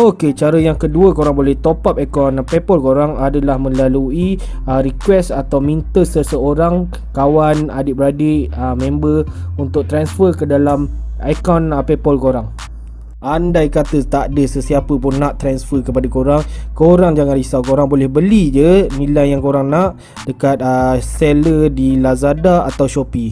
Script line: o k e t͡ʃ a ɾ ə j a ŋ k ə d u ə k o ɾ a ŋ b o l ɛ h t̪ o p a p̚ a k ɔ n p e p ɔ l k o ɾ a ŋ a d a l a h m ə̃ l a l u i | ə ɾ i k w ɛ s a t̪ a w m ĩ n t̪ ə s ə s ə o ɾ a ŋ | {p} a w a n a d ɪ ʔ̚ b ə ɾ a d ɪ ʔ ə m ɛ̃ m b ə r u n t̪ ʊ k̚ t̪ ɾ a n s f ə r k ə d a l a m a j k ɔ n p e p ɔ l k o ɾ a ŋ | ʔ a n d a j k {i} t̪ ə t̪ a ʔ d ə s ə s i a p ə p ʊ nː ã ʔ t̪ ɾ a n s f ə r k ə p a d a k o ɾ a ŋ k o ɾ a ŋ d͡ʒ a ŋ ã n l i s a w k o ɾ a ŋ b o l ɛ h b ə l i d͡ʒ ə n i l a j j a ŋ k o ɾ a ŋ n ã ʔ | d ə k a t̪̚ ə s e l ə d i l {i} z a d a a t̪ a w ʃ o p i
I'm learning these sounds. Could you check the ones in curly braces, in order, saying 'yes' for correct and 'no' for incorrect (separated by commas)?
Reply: no, no, no